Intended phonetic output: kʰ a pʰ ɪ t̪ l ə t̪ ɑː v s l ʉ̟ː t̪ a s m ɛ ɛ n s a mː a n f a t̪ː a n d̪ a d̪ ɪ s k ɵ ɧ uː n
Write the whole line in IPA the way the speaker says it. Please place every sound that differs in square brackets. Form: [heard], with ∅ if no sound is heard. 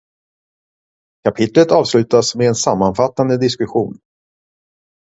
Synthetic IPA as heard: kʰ a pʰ ɪ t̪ l ə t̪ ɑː v s l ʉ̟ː t̪ a s m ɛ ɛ n s a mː a n f a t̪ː a n d̪ [ə] d̪ ɪ s k ɵ ɧ uː n